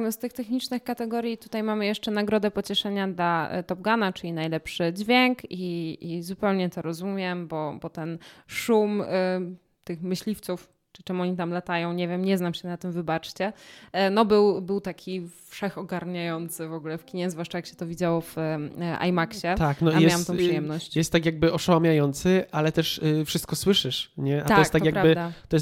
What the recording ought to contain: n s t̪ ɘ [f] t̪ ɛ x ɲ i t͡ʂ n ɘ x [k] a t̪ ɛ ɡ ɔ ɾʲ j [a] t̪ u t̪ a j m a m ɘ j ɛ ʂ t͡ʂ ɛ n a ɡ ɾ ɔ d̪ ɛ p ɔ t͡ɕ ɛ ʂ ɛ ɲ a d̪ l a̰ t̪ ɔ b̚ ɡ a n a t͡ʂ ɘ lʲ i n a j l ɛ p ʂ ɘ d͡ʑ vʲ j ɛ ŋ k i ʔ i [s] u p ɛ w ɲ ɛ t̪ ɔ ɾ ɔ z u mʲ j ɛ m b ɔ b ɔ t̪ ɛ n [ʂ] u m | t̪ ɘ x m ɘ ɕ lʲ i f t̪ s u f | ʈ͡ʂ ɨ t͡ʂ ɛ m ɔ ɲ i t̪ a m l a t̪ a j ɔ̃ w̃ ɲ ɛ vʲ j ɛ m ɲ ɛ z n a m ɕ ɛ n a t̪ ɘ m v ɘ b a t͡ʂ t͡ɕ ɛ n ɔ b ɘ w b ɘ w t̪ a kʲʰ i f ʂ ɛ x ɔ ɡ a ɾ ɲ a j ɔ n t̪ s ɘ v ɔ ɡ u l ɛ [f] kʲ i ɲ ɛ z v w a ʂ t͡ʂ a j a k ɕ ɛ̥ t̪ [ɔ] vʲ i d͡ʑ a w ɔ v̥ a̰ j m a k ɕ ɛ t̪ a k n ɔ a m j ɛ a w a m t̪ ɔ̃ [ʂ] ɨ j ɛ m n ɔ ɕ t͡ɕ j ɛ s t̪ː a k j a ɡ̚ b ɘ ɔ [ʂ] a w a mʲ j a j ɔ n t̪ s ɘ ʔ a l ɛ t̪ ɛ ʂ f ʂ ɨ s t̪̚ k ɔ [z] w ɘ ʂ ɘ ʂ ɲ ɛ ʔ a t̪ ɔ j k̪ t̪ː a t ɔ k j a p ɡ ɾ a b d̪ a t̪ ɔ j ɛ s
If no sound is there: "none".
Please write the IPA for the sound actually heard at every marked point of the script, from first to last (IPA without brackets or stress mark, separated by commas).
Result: x, k, i, z, ʂ, f, ɔ, ʂ, ʂ, s